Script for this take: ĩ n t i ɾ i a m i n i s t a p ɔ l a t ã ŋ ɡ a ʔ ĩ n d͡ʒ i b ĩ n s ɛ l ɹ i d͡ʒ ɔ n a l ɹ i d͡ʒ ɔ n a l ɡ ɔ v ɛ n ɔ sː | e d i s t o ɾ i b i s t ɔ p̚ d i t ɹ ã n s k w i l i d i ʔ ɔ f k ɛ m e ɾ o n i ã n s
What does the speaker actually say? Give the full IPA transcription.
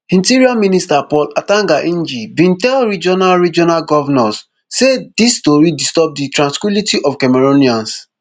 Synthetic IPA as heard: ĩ n t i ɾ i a m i n i s t a p ɔ l a t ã ŋ ɡ a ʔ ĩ n d͡ʒ i b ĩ n t ɛ l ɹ i d͡ʒ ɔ n a l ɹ i d͡ʒ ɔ n a l ɡ ɔ v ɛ n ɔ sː | e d i s t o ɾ i d i s t ɔ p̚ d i t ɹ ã n s k w i l i t i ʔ ɔ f k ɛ m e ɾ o n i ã n s

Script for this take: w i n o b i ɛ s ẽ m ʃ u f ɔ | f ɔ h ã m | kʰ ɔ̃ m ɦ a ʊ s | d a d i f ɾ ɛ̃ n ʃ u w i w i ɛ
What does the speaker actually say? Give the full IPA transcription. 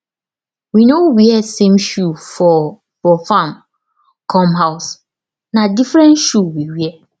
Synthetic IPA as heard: w i n o w i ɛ s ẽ m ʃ u f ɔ | f ɔ f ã m | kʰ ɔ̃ m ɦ a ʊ s | n a d i f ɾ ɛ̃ n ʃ u w i w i ɛ

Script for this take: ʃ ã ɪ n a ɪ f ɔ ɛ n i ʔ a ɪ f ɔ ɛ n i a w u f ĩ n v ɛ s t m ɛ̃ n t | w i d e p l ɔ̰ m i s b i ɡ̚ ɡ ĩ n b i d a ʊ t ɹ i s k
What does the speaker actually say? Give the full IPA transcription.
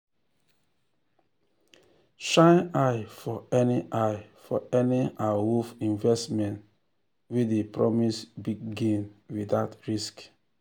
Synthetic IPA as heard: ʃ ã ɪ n a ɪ f ɔ ɛ n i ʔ a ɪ f ɔ ɛ n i a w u f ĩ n v ɛ s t m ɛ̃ n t | w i d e p ɹ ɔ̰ m i s b i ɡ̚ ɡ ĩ n w i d a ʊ t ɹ i s k

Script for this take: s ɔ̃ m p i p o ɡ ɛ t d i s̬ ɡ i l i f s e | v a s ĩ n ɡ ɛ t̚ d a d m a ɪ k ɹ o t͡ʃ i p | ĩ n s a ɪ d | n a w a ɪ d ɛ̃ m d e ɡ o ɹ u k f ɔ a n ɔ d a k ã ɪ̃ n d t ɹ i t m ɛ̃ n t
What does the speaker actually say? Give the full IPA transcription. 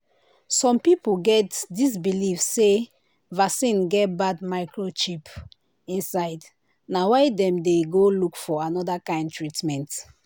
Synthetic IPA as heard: s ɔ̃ m p i p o ɡ ɛ t d i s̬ b i l i f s e | v a s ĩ n ɡ ɛ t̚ b a d m a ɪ k ɹ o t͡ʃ i p | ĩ n s a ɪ d | n a w a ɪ d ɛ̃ m d e ɡ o l u k f ɔ a n ɔ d a k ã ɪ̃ n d t ɹ i t m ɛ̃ n t

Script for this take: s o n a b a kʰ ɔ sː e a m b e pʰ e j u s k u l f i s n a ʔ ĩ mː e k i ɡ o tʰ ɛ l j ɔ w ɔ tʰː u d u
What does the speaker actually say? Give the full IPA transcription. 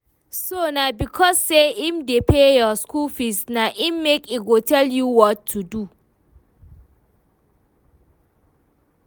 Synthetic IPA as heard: s o n a b i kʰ ɔ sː e i m d e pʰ e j ɔ s k u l f i s n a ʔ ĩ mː e k i ɡ o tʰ ɛ l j u w ɔ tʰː u d u

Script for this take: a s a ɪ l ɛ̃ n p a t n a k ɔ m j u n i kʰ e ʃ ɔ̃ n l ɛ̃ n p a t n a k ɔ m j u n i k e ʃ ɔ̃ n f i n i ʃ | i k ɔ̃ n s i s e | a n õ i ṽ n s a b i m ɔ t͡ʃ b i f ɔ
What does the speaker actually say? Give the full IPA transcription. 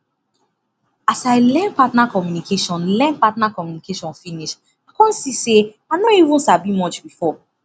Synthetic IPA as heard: a s a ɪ l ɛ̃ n p a t n a k ɔ m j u n i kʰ e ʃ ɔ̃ n l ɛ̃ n p a t n a k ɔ m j u n i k e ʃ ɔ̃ n f i n i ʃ | a k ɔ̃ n s i s e | a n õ i ṽ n s a b i m ɔ t͡ʃ b i f ɔ

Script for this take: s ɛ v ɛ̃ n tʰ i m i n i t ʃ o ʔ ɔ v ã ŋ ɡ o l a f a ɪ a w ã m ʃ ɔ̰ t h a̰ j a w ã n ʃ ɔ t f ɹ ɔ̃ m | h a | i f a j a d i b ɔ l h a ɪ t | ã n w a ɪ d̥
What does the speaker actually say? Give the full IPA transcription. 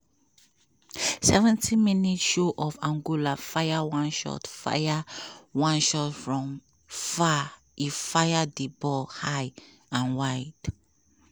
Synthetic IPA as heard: s ɛ v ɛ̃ n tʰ i m i n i t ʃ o ʔ ɔ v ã ŋ ɡ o l a f a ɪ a w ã n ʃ ɔ̰ t f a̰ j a w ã n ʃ ɔ t f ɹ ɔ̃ m | f a | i f a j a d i b ɔ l h a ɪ | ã n w a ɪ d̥

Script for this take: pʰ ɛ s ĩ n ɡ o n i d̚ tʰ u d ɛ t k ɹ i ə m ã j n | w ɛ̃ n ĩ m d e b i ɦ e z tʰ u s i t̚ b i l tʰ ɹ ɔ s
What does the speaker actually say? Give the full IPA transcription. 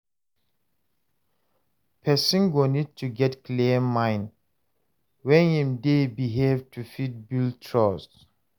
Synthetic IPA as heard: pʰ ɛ s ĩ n ɡ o n i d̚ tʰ u ɡ ɛ t k l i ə m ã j n | w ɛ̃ n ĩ m d e b i ɦ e v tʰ u f i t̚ b i l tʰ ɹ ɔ s

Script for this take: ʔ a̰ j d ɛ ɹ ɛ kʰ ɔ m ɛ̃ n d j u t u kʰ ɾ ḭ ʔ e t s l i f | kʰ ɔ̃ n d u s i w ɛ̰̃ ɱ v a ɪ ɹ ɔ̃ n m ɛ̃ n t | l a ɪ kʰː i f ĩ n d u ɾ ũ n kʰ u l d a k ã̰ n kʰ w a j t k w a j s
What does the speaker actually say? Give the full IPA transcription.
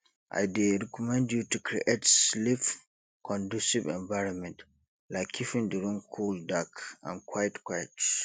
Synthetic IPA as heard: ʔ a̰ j d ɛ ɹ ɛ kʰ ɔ m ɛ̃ n d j u t u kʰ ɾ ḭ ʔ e t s l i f | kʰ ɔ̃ n d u s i v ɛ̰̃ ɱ v a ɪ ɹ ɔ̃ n m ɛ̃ n t | l a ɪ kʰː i f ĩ n d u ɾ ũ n kʰ u l d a k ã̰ n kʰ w a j t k w a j t

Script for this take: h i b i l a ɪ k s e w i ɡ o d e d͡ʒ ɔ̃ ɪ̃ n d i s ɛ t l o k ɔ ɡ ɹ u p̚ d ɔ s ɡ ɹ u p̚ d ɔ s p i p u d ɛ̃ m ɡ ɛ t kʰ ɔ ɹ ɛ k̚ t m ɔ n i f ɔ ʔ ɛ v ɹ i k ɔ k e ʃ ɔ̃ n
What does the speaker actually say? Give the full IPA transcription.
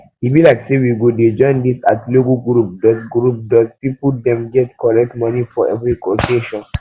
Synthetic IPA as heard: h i b i l a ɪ k s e w i ɡ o d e d͡ʒ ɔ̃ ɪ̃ n d i s a t l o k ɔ ɡ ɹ u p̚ d ɔ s ɡ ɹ u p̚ d ɔ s p i p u d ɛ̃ m ɡ ɛ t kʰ ɔ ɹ ɛ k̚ t m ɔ n i f ɔ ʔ ɛ v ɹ i k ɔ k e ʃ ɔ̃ n

